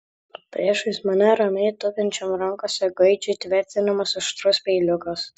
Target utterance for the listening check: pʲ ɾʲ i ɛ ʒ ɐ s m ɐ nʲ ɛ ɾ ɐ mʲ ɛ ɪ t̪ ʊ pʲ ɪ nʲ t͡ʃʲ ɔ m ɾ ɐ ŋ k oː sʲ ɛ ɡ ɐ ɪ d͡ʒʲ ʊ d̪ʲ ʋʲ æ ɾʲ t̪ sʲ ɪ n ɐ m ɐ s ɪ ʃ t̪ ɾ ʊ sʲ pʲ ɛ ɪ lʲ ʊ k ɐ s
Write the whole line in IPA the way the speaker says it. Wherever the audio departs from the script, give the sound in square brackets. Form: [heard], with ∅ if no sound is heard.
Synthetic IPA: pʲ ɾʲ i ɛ [ʃ] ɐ s m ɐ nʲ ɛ ɾ ɐ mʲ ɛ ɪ t̪ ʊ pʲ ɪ nʲ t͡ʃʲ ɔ m ɾ ɐ ŋ k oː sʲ ɛ ɡ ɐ ɪ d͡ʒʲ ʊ [t̪ʲ] ʋʲ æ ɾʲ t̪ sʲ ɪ n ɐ m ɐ s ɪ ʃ t̪ ɾ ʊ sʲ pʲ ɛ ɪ lʲ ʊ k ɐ s

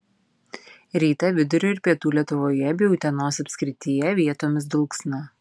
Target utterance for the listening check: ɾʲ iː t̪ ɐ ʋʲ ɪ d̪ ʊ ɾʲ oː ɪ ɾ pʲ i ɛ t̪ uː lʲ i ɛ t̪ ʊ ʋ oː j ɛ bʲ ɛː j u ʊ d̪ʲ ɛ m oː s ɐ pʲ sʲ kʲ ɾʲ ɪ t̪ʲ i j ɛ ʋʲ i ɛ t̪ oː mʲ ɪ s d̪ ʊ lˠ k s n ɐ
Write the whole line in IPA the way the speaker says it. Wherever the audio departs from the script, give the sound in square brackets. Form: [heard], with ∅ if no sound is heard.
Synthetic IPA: ɾʲ iː t̪ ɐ ʋʲ ɪ d̪ ʊ ɾʲ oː ɪ ɾ pʲ i ɛ t̪ uː lʲ i ɛ t̪ ʊ ʋ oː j ɛ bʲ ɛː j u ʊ [t̪ʲ] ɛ [n] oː s ɐ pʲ sʲ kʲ ɾʲ ɪ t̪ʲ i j ɛ ʋʲ i ɛ t̪ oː mʲ ɪ s d̪ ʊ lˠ k s n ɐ

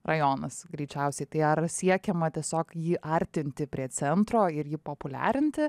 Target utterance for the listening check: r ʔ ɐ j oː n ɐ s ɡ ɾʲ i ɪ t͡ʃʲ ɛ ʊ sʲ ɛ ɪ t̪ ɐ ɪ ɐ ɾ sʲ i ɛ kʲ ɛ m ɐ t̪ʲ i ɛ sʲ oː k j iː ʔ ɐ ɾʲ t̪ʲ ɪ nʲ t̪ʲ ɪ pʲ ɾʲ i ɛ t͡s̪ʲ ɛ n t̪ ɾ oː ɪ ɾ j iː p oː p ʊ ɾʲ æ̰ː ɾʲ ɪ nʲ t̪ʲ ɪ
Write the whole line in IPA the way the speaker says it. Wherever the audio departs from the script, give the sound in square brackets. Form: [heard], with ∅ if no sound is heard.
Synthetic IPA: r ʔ ɐ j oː n ɐ s ɡ ɾʲ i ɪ t͡ʃʲ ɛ ʊ sʲ ɛ ɪ t̪ ɐ ɪ ɐ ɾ sʲ i ɛ kʲ ɛ m ɐ t̪ʲ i ɛ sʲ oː k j iː ʔ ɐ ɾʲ t̪ʲ ɪ nʲ t̪ʲ ɪ pʲ ɾʲ i ɛ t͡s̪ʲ ɛ n t̪ ɾ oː ɪ ɾ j iː p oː p ʊ [lʲ] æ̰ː ɾʲ ɪ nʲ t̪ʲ ɪ

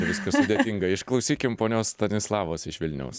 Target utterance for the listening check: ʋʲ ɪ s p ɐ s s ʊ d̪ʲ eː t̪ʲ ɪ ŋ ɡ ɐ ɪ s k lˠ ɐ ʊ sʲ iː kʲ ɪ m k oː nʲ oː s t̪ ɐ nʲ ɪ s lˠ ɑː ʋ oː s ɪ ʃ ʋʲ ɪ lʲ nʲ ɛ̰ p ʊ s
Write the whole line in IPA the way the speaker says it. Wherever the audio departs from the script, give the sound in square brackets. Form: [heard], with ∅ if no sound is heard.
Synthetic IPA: ʋʲ ɪ s [k] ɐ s s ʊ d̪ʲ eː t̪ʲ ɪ ŋ ɡ ɐ ɪ [ʃ] k lˠ ɐ ʊ sʲ iː kʲ ɪ m [p] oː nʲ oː s t̪ ɐ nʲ ɪ s lˠ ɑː ʋ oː s ɪ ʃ ʋʲ ɪ lʲ nʲ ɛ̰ [∅] ʊ s

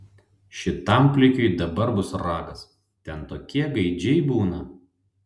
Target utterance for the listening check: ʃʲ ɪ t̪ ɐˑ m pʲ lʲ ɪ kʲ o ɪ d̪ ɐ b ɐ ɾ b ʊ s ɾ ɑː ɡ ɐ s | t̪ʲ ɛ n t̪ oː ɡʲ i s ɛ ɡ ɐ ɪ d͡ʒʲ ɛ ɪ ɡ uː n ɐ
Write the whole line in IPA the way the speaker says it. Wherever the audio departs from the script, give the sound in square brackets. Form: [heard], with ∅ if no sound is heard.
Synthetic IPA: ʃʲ ɪ t̪ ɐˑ m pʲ lʲ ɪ kʲ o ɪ d̪ ɐ b ɐ ɾ b ʊ s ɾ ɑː ɡ ɐ s | t̪ʲ ɛ n t̪ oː [kʲ] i [∅] ɛ ɡ ɐ ɪ d͡ʒʲ ɛ ɪ [b] uː n ɐ

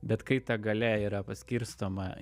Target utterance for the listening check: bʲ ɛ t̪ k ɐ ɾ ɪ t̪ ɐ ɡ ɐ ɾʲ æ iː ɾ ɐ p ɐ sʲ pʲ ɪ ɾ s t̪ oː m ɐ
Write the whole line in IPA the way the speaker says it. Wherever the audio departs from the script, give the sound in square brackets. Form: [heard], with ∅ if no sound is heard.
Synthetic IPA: bʲ ɛ t̪ k ɐ [∅] ɪ t̪ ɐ ɡ ɐ [lʲ] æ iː ɾ ɐ p ɐ sʲ [kʲ] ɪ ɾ s t̪ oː m ɐ

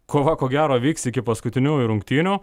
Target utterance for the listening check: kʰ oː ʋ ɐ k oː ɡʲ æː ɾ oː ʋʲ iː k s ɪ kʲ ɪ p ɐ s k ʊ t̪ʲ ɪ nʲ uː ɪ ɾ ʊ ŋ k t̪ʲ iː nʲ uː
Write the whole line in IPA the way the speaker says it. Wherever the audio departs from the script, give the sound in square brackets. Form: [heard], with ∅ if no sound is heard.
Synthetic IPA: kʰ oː ʋ ɐ k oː ɡʲ æː ɾ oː ʋʲ iː k s ɪ kʲ ɪ p ɐ s k ʊ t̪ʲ ɪ nʲ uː ɪ ɾ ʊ ŋ k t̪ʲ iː nʲ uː

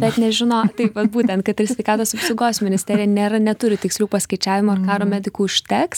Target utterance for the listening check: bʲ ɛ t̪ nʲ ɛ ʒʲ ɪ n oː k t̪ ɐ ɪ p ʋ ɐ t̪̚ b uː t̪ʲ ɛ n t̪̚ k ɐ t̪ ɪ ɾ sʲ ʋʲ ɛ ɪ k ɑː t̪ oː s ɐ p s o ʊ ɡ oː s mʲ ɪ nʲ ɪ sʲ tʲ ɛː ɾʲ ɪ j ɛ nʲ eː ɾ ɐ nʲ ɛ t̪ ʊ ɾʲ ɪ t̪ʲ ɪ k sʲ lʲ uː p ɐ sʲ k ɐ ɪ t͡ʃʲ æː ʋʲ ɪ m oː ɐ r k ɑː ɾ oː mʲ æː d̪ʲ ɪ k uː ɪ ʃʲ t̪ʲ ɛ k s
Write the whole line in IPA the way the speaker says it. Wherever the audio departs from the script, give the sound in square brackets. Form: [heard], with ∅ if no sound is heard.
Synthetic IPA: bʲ ɛ t̪ nʲ ɛ ʒʲ ɪ n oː [∅] t̪ ɐ ɪ p ʋ ɐ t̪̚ b uː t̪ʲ ɛ n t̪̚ k ɐ t̪ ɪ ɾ sʲ ʋʲ ɛ ɪ k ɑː t̪ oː s ɐ p s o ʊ ɡ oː s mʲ ɪ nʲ ɪ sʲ tʲ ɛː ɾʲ ɪ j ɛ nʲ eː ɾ ɐ nʲ ɛ t̪ ʊ ɾʲ ɪ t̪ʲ ɪ k sʲ lʲ uː p ɐ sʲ k ɐ ɪ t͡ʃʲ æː ʋʲ ɪ m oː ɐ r k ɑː ɾ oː mʲ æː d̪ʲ ɪ k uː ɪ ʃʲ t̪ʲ ɛ k s

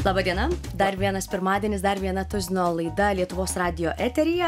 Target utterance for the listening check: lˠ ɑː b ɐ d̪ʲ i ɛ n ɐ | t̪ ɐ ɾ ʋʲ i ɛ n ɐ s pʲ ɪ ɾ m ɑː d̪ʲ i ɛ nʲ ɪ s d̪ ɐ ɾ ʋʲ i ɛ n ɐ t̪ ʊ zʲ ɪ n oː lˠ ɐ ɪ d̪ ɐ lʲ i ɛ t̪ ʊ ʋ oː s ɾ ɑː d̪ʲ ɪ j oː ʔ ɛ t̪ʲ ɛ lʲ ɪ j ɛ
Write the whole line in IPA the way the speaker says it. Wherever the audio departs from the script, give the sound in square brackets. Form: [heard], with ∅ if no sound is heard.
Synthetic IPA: lˠ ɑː b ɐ d̪ʲ i ɛ n ɐ | [d̪] ɐ ɾ ʋʲ i ɛ n ɐ s pʲ ɪ ɾ m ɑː d̪ʲ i ɛ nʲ ɪ s d̪ ɐ ɾ ʋʲ i ɛ n ɐ t̪ ʊ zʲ ɪ n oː lˠ ɐ ɪ d̪ ɐ lʲ i ɛ t̪ ʊ ʋ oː s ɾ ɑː d̪ʲ ɪ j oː ʔ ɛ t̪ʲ ɛ [ɾʲ] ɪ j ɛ

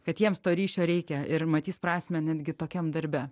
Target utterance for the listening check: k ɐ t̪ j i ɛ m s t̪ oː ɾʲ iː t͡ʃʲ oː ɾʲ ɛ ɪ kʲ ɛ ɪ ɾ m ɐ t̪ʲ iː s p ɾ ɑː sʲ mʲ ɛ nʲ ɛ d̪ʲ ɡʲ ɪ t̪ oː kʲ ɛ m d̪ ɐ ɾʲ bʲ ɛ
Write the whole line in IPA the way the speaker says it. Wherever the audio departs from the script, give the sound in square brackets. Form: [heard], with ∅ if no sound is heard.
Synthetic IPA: k ɐ t̪ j i ɛ m s t̪ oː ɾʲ iː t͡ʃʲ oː ɾʲ ɛ ɪ kʲ ɛ ɪ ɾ m ɐ t̪ʲ iː s p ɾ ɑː sʲ mʲ ɛ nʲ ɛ d̪ʲ ɡʲ ɪ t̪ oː kʲ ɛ m d̪ ɐ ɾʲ bʲ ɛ

